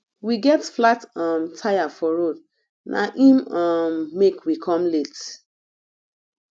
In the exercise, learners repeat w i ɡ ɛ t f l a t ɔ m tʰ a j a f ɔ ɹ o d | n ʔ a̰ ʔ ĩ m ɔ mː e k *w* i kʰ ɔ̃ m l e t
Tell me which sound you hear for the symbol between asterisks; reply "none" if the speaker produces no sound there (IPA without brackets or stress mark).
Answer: w